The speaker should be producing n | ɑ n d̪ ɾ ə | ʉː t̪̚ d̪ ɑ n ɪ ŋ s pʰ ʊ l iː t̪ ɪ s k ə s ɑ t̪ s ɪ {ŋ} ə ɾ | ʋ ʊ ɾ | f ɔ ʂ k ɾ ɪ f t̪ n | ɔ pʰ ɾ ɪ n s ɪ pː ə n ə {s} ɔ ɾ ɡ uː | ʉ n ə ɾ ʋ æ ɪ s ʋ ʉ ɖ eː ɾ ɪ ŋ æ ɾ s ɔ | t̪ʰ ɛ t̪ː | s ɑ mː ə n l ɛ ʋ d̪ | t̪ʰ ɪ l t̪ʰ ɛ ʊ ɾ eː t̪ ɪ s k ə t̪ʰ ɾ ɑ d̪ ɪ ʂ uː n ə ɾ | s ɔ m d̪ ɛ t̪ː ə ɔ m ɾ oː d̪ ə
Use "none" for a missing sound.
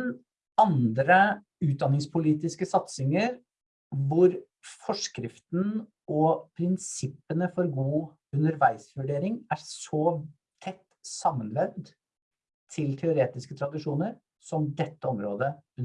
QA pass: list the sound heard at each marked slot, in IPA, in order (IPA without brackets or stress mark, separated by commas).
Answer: ŋ, f